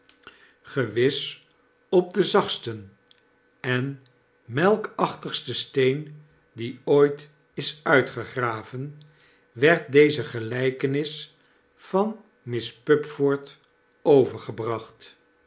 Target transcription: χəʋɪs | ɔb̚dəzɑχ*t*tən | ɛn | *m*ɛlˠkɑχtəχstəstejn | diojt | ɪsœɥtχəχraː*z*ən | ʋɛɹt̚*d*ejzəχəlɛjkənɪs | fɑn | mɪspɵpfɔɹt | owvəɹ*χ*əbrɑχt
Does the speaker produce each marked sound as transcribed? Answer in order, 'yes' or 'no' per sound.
no, yes, no, yes, yes

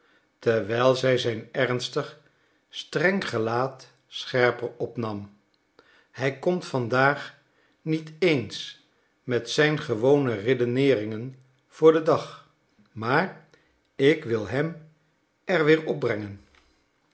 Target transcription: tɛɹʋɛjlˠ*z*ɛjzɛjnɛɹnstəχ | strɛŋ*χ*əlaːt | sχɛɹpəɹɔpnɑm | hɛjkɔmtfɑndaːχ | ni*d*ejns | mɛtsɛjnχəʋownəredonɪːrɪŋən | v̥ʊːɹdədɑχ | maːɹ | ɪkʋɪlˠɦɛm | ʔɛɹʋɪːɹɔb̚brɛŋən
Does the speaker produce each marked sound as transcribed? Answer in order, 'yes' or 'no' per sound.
yes, yes, no

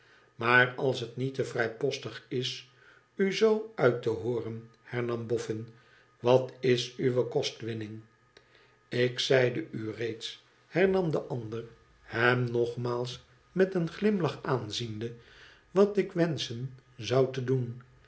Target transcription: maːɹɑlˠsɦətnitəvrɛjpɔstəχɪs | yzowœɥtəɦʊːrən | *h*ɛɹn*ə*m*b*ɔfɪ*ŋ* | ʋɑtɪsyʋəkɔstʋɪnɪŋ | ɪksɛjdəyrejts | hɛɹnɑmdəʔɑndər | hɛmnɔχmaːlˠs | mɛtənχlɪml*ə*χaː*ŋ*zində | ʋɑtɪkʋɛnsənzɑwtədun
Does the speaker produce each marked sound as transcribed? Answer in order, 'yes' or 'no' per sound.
yes, no, yes, no, no, no

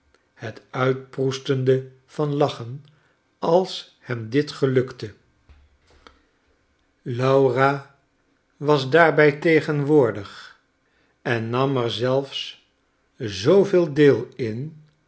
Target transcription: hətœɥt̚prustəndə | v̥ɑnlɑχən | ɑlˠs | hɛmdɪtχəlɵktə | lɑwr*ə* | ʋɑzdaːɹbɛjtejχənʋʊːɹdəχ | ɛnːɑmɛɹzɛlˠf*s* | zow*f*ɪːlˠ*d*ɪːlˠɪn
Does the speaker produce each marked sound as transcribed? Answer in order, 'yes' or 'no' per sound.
no, yes, no, yes

